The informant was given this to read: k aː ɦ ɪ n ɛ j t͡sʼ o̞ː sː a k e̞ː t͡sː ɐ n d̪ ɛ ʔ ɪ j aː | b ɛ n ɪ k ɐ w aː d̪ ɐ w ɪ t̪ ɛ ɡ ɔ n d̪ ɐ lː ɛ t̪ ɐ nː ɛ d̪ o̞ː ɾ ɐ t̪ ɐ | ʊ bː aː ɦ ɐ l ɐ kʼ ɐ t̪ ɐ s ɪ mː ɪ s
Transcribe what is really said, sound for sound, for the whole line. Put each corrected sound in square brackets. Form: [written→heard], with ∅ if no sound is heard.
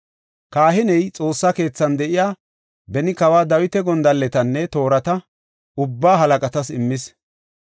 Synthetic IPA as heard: k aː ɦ ɪ n ɛ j t͡sʼ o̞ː sː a k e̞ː t͡sː ɐ n d̪ ɛ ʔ ɪ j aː | b ɛ n ɪ k ɐ w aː d̪ ɐ w ɪ t̪ ɛ ɡ ɔ n d̪ ɐ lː ɛ t̪ ɐ nː ɛ [d̪→t̪] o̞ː ɾ ɐ t̪ ɐ | ʊ bː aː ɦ ɐ l ɐ kʼ ɐ t̪ ɐ s ɪ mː ɪ s